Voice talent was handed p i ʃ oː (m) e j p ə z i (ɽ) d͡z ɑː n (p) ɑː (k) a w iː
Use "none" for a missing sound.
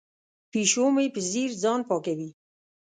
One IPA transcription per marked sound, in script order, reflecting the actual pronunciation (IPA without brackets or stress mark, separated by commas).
m, ɾ, p, k